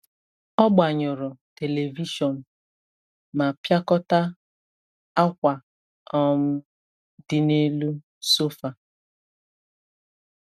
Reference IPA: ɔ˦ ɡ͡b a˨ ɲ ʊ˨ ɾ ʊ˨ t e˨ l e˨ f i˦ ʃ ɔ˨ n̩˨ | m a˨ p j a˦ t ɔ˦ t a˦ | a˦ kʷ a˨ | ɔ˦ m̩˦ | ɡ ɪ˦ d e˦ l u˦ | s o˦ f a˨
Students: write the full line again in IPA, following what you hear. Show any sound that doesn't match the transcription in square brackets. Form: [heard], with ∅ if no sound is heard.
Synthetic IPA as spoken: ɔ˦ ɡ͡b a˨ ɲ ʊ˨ ɾ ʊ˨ t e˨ l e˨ [v] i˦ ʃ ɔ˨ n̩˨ | m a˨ p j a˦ [k] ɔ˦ t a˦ | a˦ kʷ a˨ | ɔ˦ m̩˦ | [d] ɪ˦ [n] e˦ l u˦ | s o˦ f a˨